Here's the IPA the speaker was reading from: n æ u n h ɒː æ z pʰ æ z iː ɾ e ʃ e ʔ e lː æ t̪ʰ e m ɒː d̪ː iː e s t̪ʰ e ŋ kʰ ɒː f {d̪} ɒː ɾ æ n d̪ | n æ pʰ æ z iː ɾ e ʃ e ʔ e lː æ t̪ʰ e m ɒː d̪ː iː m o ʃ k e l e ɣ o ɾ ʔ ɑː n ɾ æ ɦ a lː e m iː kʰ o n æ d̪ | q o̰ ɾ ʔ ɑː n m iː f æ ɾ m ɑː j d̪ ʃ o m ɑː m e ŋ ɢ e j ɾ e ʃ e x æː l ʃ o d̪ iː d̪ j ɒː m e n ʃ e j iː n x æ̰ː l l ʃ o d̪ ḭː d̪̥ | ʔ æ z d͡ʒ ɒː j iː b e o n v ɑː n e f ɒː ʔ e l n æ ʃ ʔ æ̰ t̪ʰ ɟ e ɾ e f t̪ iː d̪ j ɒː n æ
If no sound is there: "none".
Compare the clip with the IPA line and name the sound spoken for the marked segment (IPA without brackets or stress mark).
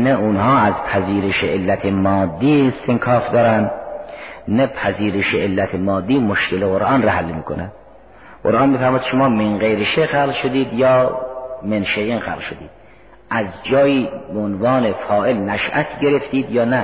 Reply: d̪